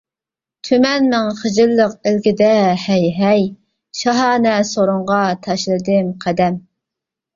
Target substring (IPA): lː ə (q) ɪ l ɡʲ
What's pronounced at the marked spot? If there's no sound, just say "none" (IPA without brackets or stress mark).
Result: q